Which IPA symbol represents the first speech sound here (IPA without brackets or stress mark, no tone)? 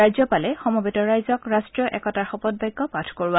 a